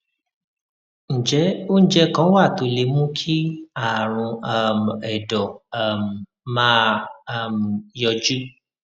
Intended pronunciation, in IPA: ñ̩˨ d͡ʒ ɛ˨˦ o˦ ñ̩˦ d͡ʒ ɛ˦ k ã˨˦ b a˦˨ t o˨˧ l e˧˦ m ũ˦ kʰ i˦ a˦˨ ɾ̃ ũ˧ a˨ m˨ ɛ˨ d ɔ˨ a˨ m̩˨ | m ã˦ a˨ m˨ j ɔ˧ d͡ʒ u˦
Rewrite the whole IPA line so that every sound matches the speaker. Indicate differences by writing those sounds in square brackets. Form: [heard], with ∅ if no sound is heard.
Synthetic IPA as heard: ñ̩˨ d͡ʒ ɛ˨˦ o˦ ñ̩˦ d͡ʒ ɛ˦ k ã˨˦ [w] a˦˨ t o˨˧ l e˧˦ m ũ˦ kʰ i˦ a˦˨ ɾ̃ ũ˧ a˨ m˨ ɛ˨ d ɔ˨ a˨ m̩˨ | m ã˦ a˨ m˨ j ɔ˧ d͡ʒ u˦